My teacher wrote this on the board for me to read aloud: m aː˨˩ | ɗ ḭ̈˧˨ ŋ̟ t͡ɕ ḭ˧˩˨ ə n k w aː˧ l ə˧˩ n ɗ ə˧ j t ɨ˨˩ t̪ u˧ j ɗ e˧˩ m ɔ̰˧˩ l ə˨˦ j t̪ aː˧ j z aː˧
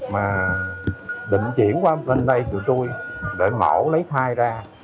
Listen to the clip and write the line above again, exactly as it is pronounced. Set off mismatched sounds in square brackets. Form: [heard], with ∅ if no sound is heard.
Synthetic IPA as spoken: m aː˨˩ | ɗ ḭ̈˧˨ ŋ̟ t͡ɕ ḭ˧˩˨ ə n k w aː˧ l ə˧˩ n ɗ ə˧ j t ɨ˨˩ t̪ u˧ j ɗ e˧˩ m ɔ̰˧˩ l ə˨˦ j [t̪ʰ] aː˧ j z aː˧

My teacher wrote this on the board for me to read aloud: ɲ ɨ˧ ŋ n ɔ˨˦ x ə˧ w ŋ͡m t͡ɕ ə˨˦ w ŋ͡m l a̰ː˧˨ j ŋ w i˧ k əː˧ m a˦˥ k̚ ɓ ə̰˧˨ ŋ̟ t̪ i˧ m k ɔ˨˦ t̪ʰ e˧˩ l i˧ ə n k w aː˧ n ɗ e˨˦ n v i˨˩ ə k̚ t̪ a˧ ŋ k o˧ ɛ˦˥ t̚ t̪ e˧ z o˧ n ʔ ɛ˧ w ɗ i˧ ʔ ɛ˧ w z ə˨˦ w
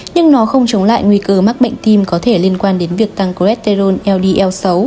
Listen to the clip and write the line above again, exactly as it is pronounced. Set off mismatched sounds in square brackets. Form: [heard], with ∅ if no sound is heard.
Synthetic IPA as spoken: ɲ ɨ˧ ŋ n ɔ˨˦ x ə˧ w ŋ͡m t͡ɕ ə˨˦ w ŋ͡m l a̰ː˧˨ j ŋ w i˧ k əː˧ m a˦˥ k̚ ɓ ə̰˧˨ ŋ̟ t̪ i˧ m k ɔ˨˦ t̪ʰ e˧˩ l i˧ ə n k w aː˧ n ɗ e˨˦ n v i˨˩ ə k̚ t̪ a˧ ŋ k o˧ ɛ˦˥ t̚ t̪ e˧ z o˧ n ʔ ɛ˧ w ɗ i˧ ʔ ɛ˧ w [s] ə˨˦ w

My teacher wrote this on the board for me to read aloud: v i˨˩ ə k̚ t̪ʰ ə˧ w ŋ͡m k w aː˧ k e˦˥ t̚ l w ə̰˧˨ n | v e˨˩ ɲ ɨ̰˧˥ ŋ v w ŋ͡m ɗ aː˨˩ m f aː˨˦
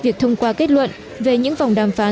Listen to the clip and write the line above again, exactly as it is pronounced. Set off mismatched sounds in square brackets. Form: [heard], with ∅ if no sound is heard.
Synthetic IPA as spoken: v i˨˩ ə k̚ t̪ʰ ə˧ w ŋ͡m k w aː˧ k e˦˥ t̚ l w ə̰˧˨ n | v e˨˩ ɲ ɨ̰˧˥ ŋ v w ŋ͡m ɗ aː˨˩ m f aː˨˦

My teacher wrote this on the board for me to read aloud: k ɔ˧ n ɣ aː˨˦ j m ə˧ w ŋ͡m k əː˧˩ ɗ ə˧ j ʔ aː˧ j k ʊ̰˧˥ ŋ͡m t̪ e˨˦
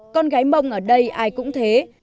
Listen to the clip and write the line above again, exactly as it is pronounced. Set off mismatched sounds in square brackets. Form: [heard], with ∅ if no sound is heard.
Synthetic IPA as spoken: k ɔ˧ n ɣ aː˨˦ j m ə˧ w ŋ͡m [ʔ] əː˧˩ ɗ ə˧ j ʔ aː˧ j k ʊ̰˧˥ ŋ͡m [t̪ʰ] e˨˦

